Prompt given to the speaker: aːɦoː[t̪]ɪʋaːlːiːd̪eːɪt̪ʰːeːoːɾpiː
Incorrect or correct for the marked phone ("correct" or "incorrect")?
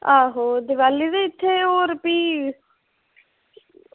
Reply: incorrect